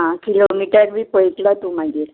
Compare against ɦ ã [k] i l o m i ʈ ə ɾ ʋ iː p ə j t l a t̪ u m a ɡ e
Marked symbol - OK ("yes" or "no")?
yes